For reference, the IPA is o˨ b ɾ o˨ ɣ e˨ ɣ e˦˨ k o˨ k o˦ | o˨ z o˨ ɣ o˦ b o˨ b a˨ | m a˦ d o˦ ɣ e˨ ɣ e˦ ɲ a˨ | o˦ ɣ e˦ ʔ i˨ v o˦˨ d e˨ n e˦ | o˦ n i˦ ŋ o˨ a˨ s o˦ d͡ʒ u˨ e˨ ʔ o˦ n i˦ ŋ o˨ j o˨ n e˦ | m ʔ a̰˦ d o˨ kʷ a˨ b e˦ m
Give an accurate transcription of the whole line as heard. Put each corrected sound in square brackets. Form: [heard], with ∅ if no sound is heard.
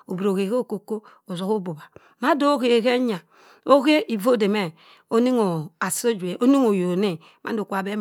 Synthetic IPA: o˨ b ɾ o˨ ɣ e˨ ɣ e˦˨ k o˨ k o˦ | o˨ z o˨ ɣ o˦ b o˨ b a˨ | m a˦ d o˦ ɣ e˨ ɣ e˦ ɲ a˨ | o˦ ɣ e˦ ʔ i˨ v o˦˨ d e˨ [m] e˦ | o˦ n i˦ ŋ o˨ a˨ s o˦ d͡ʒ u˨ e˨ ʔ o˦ n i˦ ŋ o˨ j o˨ n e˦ | m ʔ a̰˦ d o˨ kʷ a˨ b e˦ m

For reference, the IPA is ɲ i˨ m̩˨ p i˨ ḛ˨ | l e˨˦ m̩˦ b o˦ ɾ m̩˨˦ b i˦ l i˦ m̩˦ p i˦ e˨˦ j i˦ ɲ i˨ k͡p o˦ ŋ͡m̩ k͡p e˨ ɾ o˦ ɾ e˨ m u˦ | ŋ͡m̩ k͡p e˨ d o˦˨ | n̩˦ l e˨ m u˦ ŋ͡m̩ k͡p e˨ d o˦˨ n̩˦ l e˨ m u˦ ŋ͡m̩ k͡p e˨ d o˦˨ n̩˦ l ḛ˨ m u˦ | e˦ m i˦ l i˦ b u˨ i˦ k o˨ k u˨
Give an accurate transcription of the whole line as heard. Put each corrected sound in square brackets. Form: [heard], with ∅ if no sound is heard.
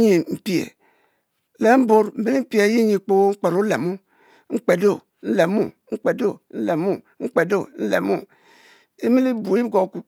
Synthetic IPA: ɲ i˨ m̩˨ p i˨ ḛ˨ | l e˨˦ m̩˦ b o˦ ɾ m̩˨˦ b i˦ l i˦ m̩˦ p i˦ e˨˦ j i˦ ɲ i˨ k͡p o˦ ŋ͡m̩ k͡p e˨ ɾ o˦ [l] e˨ m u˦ | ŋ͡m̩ k͡p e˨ d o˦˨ | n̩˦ l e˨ m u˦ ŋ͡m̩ k͡p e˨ d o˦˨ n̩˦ l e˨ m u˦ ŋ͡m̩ k͡p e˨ d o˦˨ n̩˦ l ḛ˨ m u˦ | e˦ m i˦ l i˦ b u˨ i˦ [ɡ] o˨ k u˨

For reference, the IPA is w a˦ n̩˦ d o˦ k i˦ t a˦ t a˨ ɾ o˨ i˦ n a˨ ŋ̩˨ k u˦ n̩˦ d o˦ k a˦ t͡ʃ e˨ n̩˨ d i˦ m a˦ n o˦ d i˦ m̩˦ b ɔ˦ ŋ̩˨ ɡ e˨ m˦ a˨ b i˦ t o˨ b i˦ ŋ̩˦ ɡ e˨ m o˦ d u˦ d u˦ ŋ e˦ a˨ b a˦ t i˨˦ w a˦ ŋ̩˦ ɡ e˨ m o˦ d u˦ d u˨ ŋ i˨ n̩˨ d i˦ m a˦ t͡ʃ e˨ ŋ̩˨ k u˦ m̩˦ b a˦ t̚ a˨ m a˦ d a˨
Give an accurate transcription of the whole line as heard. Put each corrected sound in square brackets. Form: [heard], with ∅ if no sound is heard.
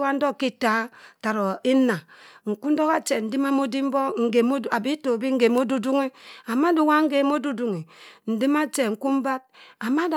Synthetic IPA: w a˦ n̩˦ d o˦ k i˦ t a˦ t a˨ ɾ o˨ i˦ n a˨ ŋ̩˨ k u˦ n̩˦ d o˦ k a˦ t͡ʃ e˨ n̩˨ d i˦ m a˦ [m] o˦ d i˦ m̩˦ b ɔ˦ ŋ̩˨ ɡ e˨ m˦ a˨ b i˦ t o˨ b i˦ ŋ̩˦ ɡ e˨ m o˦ d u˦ d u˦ ŋ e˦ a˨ [m] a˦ [d] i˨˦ w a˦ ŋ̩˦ ɡ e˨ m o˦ d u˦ d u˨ ŋ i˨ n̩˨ d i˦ m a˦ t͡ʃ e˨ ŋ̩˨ k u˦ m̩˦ b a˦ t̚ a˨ m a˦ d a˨

